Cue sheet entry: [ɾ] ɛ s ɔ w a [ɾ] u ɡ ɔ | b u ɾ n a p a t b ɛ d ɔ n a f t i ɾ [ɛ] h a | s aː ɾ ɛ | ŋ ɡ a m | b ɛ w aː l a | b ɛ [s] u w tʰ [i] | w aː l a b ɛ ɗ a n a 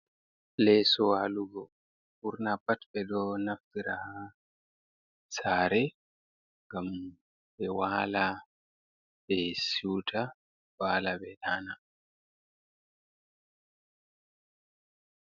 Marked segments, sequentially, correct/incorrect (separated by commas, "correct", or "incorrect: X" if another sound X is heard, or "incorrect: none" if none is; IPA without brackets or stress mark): incorrect: l, incorrect: l, incorrect: a, correct, incorrect: a